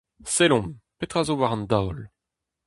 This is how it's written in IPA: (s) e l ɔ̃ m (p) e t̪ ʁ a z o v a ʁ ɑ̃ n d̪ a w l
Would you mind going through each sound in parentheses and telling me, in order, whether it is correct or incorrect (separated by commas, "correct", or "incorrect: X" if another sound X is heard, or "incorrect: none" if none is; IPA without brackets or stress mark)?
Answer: correct, correct